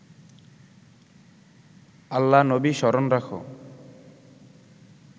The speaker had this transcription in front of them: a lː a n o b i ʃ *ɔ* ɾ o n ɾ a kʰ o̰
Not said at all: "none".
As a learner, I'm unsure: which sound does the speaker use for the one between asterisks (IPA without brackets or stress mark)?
ɔ